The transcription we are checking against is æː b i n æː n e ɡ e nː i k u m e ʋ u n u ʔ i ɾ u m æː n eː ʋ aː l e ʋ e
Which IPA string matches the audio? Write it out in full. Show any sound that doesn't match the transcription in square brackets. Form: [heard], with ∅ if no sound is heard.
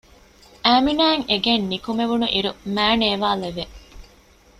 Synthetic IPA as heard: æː [m] i n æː [ŋ] e ɡ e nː i k u m e ʋ u n u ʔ i ɾ u m æː n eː ʋ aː l e ʋ e